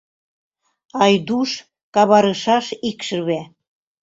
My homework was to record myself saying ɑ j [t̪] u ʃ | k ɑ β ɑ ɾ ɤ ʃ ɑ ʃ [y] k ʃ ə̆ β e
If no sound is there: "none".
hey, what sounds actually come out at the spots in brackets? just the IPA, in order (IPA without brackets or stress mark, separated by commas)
d̪, i